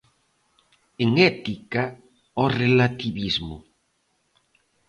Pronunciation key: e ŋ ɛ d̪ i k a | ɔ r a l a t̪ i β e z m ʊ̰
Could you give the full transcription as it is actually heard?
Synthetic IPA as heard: e ŋ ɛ t̪ i k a | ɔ r e l a t̪ i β i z m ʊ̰

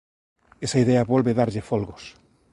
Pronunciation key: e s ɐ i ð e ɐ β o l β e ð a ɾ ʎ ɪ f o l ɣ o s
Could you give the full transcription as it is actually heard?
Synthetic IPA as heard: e s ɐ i ð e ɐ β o l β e ð a ɾ ʎ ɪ f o l ɣ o s

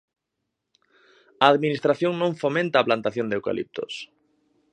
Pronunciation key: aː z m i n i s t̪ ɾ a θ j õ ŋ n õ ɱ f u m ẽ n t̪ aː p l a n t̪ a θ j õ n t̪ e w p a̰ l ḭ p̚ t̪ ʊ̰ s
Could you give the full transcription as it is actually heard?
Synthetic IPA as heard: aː ð m i n i s t̪ ɾ a θ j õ ŋ n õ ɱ f o m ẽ n t̪ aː p l a n t̪ a θ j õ n d̪ e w k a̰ l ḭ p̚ t̪ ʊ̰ s

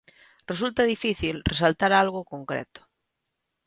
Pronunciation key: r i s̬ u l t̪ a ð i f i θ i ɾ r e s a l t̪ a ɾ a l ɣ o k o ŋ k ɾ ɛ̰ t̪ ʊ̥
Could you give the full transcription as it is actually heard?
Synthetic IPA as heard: r e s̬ u l t̪ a ð i f i θ i l r e s a l t̪ a ɾ a l ɣ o k o ŋ k ɾ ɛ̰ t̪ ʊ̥

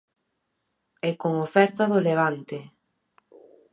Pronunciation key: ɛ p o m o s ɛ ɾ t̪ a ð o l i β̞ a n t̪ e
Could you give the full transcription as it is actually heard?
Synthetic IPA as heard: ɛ k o ŋ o f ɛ ɾ t̪ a ð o l e β̞ a n t̪ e

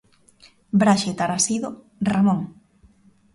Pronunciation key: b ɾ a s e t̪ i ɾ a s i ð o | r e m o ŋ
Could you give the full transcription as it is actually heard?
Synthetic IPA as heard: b ɾ a ʃ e t̪ a ɾ a s i ð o | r a m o ŋ

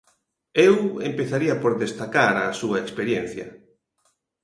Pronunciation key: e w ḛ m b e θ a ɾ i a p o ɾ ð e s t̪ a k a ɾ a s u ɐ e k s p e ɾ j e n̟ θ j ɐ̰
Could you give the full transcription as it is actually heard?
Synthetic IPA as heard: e w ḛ m p e θ a ɾ i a p o ɾ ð e s t̪ a k a ɾ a s u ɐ e k s p e ɾ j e n̟ θ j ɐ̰

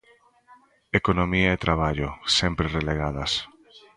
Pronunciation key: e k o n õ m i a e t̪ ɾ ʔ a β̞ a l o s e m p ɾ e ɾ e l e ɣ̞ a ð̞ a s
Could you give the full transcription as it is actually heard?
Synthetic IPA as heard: e k o n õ m i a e t̪ ɾ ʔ a β̞ a ʎ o s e m p ɾ e r e l e ɣ̞ a ð̞ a s

